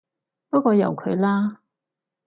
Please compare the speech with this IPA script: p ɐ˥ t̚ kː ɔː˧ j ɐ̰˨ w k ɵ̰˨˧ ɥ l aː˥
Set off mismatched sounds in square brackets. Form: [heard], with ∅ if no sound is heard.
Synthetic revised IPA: p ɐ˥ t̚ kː ɔː˧ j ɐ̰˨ w [kʰ] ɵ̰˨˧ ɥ l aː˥